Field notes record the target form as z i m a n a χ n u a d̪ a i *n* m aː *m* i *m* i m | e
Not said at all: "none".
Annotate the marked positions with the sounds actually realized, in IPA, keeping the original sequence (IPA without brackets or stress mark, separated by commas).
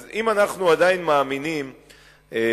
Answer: n, m, n